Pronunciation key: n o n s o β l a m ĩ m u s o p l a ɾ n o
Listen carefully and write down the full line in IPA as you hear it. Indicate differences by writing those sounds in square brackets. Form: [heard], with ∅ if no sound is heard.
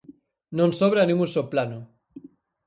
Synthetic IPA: n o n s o β [ɾ] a [n] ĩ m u s o p l a [∅] n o